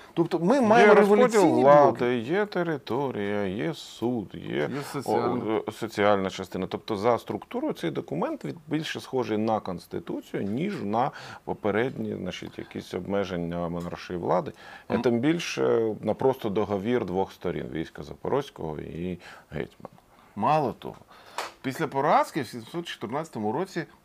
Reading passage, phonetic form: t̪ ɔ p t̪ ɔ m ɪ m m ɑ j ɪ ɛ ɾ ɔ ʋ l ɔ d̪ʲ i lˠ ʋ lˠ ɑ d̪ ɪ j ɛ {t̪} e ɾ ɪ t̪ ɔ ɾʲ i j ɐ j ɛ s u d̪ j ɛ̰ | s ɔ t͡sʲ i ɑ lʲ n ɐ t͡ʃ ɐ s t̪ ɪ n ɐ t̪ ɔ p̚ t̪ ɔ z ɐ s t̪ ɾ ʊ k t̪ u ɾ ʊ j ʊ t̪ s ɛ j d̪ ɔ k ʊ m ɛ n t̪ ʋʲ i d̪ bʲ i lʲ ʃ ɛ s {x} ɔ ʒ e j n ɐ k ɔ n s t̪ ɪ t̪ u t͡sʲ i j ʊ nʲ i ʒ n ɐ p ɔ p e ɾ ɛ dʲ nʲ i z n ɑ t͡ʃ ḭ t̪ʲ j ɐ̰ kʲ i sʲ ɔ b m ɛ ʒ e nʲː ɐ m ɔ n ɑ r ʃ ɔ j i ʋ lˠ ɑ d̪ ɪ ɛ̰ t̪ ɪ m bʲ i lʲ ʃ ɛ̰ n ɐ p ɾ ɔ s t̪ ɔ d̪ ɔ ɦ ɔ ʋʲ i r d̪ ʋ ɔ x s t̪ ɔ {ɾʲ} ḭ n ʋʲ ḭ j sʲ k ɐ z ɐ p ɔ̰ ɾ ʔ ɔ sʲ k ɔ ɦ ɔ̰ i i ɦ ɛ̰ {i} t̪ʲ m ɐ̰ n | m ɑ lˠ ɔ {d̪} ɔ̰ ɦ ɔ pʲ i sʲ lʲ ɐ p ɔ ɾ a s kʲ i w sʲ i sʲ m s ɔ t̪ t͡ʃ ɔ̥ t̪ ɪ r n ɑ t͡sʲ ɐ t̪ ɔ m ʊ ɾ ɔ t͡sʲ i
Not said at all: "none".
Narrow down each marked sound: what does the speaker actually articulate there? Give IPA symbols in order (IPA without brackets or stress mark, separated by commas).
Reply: t̪, x, ɾʲ, j, t̪